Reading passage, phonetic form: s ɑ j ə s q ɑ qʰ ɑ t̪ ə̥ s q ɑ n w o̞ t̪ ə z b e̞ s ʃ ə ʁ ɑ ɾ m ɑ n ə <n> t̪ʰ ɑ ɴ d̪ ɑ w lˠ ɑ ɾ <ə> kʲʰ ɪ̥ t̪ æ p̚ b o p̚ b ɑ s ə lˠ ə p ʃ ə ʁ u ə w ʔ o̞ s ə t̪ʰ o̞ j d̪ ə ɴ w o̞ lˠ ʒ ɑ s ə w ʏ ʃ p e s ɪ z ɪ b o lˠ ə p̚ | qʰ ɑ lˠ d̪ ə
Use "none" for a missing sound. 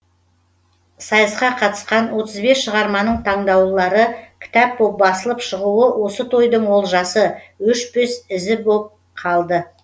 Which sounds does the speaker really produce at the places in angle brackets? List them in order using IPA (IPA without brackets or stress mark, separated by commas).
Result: ɴ, ə